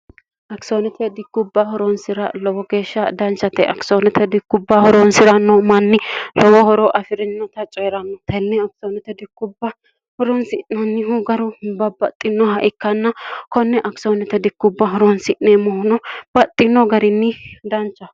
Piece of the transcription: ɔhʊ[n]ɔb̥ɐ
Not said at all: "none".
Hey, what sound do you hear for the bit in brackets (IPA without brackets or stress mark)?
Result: n